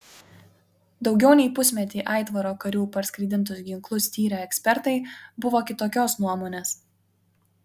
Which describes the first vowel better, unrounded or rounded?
rounded